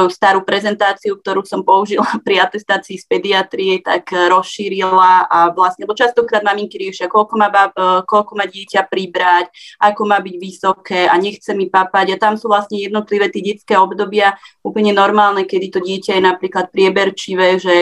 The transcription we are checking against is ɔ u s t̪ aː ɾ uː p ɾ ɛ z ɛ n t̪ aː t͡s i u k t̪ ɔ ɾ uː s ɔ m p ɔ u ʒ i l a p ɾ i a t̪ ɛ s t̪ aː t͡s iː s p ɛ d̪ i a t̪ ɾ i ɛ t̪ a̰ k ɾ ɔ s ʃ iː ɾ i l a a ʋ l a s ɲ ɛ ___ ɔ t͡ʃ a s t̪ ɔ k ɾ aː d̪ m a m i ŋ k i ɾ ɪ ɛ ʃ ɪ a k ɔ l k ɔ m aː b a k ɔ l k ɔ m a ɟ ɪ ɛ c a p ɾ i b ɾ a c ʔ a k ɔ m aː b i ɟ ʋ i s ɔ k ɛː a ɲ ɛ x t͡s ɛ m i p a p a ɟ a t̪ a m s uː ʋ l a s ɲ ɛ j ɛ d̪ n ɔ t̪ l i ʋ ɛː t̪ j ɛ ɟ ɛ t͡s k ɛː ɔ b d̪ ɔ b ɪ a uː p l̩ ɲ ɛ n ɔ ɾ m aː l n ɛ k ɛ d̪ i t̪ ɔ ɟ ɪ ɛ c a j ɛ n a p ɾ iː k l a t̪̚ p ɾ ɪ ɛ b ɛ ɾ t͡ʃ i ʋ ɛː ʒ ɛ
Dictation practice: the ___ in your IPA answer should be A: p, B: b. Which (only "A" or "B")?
B